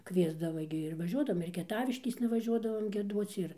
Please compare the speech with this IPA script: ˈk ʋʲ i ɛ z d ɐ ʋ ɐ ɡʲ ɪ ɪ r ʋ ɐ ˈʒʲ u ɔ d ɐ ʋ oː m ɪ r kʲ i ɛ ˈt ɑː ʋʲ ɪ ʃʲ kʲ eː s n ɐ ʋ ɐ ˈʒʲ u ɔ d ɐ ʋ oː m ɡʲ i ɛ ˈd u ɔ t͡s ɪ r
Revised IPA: ˈk ʋʲ i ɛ z d ɐ ʋ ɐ ɡʲ ɪ ɪ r ʋ ɐ ˈʒʲ u ɔ d ɐ ʋ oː m ɪ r kʲ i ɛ ˈt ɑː ʋʲ ɪ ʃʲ kʲ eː s n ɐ ʋ ɐ ˈʒʲ u ɔ d ɐ ʋ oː m ɡʲ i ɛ ˈd u ɔ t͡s ɪ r

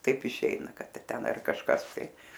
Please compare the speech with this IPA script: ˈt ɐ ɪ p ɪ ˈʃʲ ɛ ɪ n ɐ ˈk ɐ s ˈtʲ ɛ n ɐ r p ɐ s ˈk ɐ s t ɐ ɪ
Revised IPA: ˈt ɐ ɪ p ɪ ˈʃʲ ɛ ɪ n ɐ ˈk ɐ t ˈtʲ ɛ n ɐ r k ɐ ʃ ˈk ɐ s t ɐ ɪ

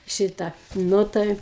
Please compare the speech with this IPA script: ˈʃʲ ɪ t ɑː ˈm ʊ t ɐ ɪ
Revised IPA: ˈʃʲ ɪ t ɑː ˈn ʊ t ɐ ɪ

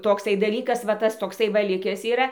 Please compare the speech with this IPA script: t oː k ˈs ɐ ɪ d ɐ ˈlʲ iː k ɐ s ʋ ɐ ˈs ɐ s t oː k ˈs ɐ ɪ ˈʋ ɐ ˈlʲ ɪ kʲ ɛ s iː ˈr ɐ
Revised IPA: t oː k ˈs ɐ ɪ d ɐ ˈlʲ iː k ɐ s ʋ ɐ ˈt ɐ s t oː k ˈs ɐ ɪ ˈʋ ɐ ˈlʲ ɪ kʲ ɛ s iː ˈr ɐ

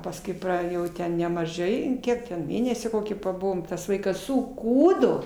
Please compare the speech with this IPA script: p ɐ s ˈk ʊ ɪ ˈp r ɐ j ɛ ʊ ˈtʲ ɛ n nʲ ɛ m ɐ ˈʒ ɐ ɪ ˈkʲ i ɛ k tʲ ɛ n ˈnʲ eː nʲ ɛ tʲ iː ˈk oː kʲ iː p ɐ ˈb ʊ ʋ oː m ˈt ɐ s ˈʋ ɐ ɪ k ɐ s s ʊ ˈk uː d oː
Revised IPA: p ɐ s ˈk ʊ ɪ ˈp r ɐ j ɛ ʊ ˈtʲ ɛ n nʲ ɛ m ɐ ˈʒ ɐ ɪ ˈkʲ i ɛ k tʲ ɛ n ˈmʲ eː nʲ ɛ sʲ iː ˈk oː kʲ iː p ɐ ˈb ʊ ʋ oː m ˈt ɐ s ˈʋ ɐ ɪ k ɐ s s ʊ ˈk uː d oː

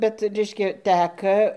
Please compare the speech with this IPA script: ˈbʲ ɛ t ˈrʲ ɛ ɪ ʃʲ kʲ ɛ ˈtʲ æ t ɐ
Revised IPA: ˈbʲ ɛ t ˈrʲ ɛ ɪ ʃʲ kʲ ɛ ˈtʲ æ k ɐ

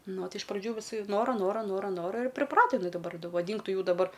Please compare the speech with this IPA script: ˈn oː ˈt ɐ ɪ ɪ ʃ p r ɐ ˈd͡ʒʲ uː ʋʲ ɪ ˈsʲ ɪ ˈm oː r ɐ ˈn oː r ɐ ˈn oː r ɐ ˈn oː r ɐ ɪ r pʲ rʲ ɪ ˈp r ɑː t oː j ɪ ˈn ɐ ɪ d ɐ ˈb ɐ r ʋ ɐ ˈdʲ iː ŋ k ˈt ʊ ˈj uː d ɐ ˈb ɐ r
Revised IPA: ˈn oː ˈt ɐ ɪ ɪ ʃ p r ɐ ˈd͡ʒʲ uː ʋʲ ɪ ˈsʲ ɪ ˈn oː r ɐ ˈn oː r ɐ ˈn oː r ɐ ˈn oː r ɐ ɪ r pʲ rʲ ɪ ˈp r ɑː t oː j ɪ ˈn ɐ ɪ d ɐ ˈb ɐ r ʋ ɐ ˈdʲ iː ŋ k ˈt ʊ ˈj uː d ɐ ˈb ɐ r

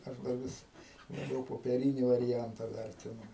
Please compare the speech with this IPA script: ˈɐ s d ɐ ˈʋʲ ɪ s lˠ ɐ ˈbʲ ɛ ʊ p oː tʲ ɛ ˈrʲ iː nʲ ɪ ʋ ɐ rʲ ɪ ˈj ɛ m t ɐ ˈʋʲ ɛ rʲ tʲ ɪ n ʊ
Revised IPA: ˈɐ ʃ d ɐ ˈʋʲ ɪ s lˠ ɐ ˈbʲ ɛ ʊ p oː pʲ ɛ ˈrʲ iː nʲ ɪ ʋ ɐ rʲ ɪ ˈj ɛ n t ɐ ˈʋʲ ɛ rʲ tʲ ɪ n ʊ

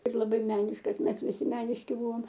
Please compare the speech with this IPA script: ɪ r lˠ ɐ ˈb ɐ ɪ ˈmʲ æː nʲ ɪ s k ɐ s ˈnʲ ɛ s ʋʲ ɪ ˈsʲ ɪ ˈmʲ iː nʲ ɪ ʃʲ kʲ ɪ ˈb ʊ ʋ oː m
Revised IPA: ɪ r lˠ ɐ ˈb ɐ ɪ ˈmʲ æː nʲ ɪ ʃ k ɐ s ˈmʲ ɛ s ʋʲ ɪ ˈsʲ ɪ ˈmʲ æː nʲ ɪ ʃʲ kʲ ɪ ˈb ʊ ʋ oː m

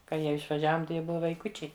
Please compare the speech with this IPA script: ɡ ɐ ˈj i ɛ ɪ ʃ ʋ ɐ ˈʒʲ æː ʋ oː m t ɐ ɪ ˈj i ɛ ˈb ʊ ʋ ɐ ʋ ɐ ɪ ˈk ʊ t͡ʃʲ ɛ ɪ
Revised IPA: k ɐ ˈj i ɛ ɪ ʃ ʋ ɐ ˈʒʲ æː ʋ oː m t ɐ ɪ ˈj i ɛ ˈb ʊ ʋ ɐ ʋ ɐ ɪ ˈk ʊ t͡ʃʲ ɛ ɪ

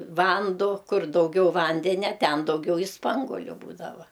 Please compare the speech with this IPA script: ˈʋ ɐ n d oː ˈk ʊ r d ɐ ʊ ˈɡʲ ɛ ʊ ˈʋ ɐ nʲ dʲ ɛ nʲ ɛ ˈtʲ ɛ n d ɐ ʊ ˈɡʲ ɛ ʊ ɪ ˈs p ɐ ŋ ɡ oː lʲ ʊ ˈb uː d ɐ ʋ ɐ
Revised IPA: ˈʋ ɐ n d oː ˈk ʊ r d ɐ ʊ ˈɡʲ ɛ ʊ ˈʋ ɐ nʲ dʲ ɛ nʲ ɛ ˈtʲ ɛ n d ɐ ʊ ˈɡʲ ɛ ʊ ɪ ˈs p ɐ ŋ ɡ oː lʲ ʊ ˈb uː d ɐ ʋ ɐ

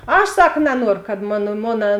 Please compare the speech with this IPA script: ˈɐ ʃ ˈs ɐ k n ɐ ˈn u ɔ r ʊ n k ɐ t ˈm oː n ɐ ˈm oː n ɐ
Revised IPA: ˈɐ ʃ ˈs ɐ k n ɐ ˈn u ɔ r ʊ k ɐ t ˈm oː n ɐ ˈm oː n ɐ

